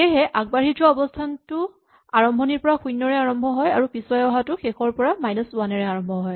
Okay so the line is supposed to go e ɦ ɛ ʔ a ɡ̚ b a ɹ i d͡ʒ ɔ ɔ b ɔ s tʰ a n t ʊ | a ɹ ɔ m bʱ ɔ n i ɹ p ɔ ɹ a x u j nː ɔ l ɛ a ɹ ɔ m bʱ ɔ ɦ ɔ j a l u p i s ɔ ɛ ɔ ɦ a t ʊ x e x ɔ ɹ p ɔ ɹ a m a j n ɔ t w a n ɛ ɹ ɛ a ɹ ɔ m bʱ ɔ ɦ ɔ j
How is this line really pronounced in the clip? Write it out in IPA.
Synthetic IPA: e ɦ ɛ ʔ a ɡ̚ b a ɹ i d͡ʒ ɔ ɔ b ɔ s tʰ a n t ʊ | a ɹ ɔ m bʱ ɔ n i ɹ p ɔ ɹ a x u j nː ɔ ɹ ɛ a ɹ ɔ m bʱ ɔ ɦ ɔ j a ɹ u p i s ɔ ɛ ɔ ɦ a t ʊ x e x ɔ ɹ p ɔ ɹ a m a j n ɔ s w a n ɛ ɹ ɛ a ɹ ɔ m bʱ ɔ ɦ ɔ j